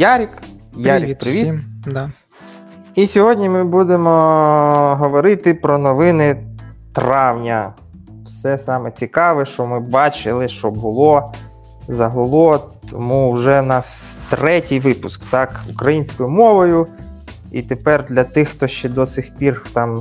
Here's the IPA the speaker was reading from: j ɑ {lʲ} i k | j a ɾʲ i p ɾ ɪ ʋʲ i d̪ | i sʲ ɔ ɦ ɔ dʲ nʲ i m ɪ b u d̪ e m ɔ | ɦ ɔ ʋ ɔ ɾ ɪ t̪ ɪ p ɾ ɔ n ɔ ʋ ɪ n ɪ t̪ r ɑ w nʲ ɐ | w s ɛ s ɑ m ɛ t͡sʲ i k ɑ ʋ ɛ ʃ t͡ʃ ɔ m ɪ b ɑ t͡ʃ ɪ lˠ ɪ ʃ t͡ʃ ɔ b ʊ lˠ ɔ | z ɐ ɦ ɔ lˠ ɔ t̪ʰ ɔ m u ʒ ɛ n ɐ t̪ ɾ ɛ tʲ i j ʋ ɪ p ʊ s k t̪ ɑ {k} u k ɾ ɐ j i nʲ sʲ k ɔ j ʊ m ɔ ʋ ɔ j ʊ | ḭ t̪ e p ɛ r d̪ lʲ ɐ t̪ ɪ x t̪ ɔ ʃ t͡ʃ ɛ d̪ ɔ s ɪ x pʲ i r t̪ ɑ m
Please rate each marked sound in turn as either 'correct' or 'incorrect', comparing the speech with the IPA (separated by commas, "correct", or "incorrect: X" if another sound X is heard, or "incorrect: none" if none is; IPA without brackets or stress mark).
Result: incorrect: ɾʲ, correct